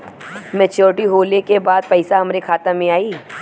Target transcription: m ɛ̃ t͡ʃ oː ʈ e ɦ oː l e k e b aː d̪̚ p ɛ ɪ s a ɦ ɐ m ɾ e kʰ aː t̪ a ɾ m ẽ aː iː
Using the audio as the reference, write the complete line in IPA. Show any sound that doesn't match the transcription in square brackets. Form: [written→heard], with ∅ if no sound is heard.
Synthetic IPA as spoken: m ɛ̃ t͡ʃ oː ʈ [e→i] ɦ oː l e k e b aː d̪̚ p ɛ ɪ s a ɦ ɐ m ɾ e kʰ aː t̪ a [ɾ→∅] m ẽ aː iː